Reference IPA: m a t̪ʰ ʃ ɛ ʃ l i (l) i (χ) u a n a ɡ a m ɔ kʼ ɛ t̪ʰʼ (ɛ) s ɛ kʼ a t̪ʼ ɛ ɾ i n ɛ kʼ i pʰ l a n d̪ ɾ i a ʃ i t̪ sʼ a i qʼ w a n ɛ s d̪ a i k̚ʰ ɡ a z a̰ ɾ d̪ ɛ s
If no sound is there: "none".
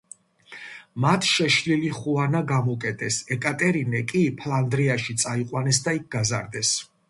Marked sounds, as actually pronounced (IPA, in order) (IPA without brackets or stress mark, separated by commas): l, χ, ɛ